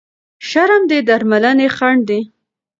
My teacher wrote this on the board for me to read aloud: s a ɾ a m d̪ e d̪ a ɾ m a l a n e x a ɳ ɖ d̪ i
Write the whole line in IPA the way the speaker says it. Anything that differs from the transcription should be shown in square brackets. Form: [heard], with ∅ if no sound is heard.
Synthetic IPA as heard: [ʃ] a ɾ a m d̪ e d̪ a ɾ m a l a n e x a ɳ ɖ d̪ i